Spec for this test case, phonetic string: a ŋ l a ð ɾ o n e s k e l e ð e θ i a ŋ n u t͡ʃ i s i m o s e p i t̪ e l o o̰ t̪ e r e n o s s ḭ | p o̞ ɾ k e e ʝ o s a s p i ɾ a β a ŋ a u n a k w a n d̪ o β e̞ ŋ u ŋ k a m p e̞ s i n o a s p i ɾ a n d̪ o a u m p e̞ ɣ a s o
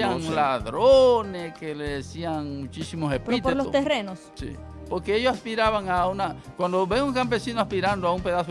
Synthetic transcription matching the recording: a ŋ l a ð ɾ o n e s k e l e ð e s i a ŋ m u t͡ʃ i s i m o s e p i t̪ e l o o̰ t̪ e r e n o s s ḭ | p o̞ ɾ k e e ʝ o s a s p i ɾ a β a ŋ a u n a k w a n d̪ o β e̞ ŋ u ŋ k a m p e̞ s i n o a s p i ɾ a n d̪ o a u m p e̞ ð a s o